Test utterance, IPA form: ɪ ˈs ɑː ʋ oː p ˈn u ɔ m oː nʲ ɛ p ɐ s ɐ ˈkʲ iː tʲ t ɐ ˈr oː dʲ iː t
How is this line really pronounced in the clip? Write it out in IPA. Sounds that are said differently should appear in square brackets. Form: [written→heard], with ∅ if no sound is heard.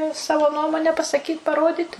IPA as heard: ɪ ˈs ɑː ʋ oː [p→∅] ˈn u ɔ m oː nʲ ɛ p ɐ s ɐ ˈkʲ iː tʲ [t→p] ɐ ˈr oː dʲ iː t